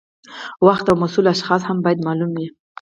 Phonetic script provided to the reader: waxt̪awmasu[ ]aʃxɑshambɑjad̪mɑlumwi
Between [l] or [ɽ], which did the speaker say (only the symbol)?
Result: l